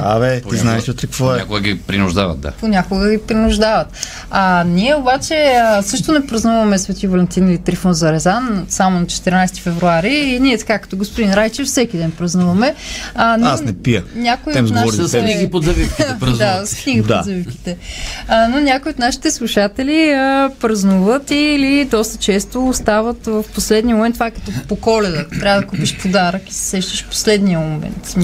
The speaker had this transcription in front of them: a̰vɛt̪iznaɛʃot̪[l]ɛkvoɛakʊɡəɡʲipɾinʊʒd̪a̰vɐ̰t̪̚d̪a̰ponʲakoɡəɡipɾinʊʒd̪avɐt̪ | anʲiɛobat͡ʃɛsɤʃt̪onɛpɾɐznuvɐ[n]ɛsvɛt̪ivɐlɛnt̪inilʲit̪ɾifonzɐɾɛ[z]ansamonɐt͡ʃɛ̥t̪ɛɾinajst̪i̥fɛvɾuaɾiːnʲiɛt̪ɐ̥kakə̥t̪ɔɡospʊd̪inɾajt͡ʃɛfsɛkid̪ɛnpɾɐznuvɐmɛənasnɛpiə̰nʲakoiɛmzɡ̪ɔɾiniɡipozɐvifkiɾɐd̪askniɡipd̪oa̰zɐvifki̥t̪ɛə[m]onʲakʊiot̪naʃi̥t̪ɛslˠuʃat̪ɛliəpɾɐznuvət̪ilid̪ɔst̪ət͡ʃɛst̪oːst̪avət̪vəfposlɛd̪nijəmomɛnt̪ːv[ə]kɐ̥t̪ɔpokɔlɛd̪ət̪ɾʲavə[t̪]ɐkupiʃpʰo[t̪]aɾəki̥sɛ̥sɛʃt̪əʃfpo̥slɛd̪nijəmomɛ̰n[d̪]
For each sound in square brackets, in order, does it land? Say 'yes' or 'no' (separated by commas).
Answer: no, no, yes, no, no, no, no, no